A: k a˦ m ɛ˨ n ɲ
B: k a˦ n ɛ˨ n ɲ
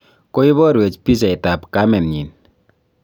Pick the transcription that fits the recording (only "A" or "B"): A